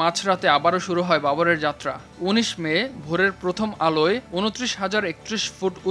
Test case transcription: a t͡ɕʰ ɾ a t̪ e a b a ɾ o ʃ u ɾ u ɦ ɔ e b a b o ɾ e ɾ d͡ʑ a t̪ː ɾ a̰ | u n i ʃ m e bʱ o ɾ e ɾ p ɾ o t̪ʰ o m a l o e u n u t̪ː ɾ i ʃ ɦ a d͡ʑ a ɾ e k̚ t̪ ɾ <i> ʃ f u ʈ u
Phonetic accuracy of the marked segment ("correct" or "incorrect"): correct